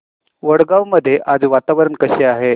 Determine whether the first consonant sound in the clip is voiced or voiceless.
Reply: voiced